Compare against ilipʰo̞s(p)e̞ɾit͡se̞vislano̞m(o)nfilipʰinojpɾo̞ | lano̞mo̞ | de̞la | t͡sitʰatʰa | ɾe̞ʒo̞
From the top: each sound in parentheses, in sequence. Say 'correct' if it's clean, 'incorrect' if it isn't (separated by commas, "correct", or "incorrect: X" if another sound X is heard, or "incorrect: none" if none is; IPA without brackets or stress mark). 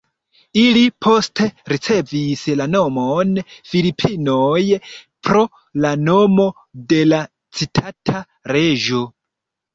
incorrect: t, correct